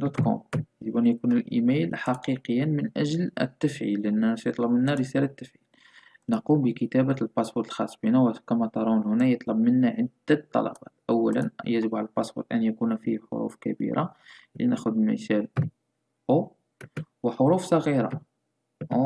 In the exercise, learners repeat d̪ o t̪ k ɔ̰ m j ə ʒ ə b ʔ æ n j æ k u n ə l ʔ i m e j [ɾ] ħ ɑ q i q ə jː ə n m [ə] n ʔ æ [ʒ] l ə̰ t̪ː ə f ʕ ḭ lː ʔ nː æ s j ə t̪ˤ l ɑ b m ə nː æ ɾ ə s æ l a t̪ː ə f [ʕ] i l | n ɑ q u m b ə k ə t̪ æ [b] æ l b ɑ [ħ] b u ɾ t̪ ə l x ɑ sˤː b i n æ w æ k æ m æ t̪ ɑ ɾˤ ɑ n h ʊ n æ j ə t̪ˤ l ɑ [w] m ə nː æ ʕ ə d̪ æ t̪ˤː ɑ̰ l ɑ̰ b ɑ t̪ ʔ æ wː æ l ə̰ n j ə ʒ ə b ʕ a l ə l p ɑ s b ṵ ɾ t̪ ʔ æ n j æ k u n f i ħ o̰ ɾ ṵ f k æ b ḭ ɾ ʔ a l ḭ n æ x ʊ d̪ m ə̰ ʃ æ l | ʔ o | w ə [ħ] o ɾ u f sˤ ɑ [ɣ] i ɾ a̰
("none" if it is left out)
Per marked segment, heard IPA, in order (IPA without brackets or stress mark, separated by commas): l, ə, ʒ, ʕ, b, s, b, ħ, ɣ